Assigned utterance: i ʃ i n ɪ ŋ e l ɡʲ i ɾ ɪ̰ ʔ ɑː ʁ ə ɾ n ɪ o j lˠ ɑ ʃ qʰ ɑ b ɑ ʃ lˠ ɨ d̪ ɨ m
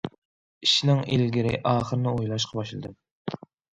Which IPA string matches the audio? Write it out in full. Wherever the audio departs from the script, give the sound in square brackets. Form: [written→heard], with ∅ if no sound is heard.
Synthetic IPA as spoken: i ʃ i n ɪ ŋ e l ɡʲ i ɾ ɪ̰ ʔ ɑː [ʁ→χ] ə ɾ n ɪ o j lˠ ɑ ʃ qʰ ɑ b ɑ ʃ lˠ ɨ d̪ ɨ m